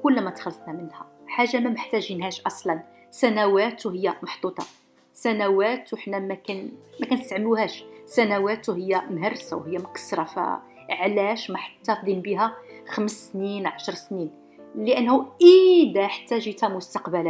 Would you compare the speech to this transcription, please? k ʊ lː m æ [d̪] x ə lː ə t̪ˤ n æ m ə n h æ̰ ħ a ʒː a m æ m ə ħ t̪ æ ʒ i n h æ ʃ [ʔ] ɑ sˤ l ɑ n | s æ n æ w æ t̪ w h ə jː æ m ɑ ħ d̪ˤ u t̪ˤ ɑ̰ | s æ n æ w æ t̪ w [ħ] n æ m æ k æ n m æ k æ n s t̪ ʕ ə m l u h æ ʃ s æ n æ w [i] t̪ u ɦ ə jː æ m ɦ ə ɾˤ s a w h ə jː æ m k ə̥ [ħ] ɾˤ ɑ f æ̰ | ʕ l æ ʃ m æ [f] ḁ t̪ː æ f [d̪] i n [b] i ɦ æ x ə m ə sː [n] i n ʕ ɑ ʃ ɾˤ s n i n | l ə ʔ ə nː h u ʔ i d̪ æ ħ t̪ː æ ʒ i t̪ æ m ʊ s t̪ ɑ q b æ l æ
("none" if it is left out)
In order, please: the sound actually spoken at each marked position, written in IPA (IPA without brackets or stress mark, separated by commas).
t̪, ʔ, ħ, æ, s, ħ, d̪, b, n